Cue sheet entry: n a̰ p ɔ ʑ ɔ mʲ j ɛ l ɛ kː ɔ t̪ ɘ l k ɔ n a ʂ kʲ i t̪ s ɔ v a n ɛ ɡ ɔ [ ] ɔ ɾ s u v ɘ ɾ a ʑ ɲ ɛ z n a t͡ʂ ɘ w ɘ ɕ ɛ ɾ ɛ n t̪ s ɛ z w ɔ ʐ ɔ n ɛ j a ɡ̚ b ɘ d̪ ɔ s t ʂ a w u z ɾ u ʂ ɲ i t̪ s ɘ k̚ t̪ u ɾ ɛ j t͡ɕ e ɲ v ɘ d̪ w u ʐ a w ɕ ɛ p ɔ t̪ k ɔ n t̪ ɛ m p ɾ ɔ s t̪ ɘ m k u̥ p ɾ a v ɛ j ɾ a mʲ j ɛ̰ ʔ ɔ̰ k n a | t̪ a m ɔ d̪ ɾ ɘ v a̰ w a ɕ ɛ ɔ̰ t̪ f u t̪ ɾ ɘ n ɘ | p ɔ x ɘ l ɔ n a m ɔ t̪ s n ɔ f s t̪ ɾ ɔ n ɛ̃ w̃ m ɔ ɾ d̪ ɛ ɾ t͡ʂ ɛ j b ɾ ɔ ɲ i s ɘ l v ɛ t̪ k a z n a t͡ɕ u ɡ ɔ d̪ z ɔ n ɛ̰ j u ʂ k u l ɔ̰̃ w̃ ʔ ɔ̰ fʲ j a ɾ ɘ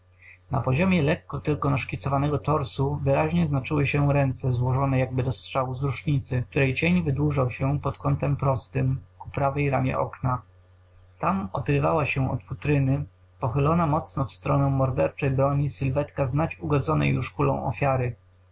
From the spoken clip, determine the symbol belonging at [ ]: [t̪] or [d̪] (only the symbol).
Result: t̪